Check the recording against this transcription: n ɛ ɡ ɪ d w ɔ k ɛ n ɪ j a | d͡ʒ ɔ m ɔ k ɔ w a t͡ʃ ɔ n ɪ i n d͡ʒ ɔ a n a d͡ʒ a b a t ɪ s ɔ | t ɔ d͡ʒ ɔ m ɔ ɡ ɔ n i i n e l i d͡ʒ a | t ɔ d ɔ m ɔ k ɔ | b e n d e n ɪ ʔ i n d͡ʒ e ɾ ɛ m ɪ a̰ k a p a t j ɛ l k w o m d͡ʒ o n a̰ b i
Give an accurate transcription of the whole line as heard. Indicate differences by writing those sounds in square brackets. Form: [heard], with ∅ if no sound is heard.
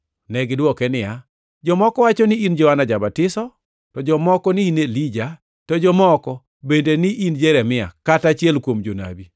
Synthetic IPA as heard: n ɛ ɡ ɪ d w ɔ k ɛ n ɪ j a | d͡ʒ ɔ m ɔ k ɔ w a t͡ʃ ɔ n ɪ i n d͡ʒ ɔ a n a d͡ʒ a b a t ɪ s ɔ | t ɔ d͡ʒ ɔ m ɔ [k] ɔ n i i n e l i d͡ʒ a | t ɔ [d͡ʒ] ɔ m ɔ k ɔ | b e n d e n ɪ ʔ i n d͡ʒ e ɾ ɛ m ɪ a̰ k a [t] a [t͡ʃ] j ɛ l k w o m d͡ʒ o n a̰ b i